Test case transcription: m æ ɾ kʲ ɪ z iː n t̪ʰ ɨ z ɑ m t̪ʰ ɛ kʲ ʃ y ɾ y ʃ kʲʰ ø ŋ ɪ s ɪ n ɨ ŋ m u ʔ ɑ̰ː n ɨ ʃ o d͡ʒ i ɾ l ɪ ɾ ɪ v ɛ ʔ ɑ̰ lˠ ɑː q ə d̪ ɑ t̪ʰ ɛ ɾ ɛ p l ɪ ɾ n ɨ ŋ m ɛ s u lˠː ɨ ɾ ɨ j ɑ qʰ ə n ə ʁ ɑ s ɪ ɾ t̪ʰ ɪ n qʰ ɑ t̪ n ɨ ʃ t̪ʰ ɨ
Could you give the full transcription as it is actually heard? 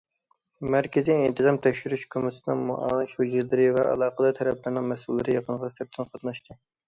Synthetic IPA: m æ ɾ kʲ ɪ z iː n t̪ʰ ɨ z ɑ m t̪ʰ ɛ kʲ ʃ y ɾ y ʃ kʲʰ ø m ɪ s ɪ n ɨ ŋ m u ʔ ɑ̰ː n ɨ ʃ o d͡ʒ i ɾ l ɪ ɾ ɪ v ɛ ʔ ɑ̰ lˠ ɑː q ə d̪ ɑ t̪ʰ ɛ ɾ ɛ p l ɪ ɾ n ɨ ŋ m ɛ s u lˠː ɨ ɾ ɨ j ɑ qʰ ə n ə ʁ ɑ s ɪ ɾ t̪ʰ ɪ n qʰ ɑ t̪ n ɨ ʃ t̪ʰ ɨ